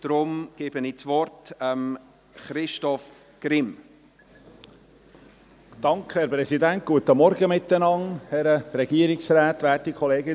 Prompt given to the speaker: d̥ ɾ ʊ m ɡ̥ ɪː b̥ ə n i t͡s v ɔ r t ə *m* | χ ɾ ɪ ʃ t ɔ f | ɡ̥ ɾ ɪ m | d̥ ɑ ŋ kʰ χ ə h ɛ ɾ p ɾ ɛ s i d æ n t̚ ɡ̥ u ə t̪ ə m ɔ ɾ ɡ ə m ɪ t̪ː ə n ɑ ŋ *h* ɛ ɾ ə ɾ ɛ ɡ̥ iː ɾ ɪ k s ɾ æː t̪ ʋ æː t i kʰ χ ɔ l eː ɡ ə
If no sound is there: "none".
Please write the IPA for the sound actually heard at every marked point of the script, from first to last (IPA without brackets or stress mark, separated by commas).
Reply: m, h